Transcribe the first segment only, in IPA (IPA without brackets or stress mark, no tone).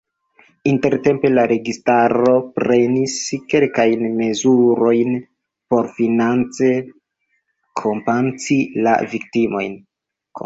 i